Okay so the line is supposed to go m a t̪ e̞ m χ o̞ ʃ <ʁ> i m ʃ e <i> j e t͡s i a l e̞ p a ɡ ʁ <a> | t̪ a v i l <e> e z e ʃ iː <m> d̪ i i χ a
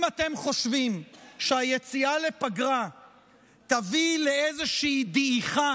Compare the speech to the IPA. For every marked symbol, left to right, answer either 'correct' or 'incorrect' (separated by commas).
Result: incorrect, incorrect, correct, correct, incorrect